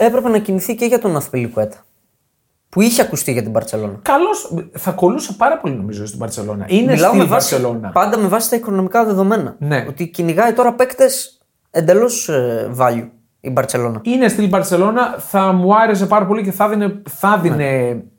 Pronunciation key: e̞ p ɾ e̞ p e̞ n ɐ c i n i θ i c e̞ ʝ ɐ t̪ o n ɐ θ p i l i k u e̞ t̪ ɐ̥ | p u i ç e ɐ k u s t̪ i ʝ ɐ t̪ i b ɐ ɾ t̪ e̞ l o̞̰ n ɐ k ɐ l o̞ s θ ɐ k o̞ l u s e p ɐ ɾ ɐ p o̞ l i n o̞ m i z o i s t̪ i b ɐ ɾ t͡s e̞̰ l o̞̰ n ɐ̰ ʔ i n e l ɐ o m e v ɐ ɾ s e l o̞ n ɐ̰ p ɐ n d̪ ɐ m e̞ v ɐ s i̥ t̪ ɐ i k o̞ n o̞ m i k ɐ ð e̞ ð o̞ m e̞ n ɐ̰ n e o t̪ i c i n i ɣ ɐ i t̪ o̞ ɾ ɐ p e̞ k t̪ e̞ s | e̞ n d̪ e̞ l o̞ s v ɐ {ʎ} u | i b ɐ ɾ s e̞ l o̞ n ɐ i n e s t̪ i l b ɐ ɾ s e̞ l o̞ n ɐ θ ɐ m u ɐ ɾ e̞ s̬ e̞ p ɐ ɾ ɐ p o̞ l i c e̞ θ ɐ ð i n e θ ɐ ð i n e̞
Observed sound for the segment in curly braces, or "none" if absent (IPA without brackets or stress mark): ʎ